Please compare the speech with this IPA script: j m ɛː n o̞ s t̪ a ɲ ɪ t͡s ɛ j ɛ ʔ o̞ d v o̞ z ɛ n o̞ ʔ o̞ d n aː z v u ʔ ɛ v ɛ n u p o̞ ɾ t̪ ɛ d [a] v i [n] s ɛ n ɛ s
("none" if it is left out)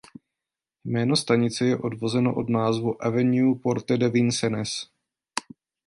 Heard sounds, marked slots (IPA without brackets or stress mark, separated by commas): ɛ, n